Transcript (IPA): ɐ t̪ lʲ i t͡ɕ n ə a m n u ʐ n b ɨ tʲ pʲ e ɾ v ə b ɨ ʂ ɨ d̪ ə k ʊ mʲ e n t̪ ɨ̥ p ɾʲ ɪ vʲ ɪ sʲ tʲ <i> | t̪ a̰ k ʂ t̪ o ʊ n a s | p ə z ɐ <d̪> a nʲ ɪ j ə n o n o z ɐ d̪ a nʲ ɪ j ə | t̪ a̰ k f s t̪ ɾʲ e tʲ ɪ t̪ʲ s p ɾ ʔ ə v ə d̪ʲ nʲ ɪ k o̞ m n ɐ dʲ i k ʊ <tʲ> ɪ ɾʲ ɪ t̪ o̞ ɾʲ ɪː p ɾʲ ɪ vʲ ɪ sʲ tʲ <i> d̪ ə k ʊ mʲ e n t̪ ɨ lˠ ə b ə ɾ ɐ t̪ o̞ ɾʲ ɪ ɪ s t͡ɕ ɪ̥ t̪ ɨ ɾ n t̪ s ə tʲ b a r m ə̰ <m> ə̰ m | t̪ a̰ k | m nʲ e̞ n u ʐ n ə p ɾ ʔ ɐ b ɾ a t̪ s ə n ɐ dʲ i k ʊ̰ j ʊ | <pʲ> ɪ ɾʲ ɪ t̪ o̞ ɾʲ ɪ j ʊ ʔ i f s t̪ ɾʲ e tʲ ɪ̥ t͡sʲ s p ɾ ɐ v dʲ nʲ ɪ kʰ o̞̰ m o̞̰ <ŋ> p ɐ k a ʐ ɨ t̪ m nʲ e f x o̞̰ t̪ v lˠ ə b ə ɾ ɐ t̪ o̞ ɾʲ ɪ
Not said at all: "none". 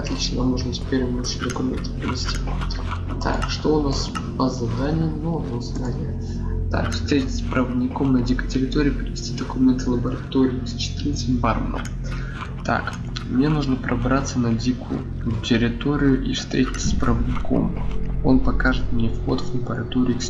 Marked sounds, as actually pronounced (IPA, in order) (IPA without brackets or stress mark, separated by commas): i, d̪, tʲ, i, n, tʲ, n